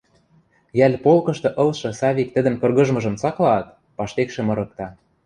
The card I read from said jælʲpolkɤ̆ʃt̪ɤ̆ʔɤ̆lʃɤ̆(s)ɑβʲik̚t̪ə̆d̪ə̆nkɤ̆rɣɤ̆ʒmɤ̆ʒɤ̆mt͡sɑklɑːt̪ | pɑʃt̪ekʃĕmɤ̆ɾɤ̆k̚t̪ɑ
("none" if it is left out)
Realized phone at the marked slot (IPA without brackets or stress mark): s